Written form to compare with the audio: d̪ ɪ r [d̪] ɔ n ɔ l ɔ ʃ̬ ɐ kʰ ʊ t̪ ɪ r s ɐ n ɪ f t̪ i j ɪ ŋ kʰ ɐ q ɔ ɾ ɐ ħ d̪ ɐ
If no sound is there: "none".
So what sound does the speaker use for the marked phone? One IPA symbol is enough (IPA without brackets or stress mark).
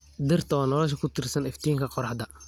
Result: t̪